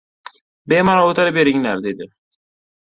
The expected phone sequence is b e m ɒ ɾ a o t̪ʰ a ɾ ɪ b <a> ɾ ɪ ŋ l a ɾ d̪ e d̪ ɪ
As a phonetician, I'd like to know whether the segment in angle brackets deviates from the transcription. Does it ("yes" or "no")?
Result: yes